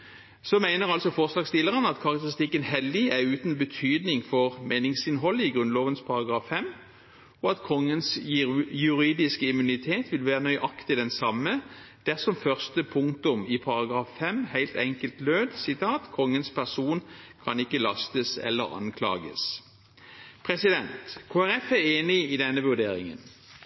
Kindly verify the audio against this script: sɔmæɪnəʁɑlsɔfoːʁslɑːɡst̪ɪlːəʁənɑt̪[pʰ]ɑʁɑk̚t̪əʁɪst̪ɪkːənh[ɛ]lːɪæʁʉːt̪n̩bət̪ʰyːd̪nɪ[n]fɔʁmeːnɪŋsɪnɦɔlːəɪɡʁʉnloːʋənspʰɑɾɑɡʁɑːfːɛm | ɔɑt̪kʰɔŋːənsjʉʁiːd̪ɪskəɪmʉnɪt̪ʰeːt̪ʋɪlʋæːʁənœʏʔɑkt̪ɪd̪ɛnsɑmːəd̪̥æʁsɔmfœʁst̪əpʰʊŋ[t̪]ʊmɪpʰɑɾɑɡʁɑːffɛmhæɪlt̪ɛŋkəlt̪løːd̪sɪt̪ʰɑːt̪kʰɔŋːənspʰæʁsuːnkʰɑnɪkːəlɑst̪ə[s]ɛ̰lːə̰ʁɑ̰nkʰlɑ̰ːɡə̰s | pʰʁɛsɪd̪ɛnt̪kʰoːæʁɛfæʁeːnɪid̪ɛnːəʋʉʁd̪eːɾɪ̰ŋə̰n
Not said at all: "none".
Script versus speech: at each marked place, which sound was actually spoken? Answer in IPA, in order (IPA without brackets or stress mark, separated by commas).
kʰ, ɛ, ŋ, t̪, s